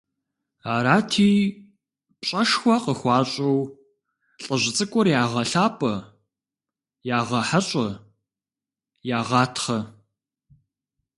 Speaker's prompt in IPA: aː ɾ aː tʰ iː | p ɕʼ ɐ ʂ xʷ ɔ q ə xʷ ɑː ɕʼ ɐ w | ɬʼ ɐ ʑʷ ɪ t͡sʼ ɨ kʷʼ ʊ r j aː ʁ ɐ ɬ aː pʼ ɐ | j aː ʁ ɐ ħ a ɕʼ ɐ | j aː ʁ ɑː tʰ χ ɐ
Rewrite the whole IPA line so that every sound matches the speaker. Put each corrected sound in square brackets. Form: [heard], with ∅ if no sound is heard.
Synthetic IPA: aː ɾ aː tʰ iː | p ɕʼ ɐ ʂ xʷ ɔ q ə xʷ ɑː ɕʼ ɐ w | ɬʼ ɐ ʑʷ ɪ t͡sʼ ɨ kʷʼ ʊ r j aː ʁ ɐ ɬ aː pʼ ɐ | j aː ʁ ɐ ħ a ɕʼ ɐ | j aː ʁ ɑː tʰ χ ɐ